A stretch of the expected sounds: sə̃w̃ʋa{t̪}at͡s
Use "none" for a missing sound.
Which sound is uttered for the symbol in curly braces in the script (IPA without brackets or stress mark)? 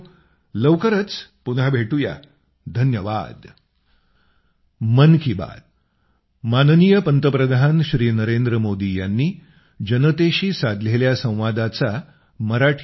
d̪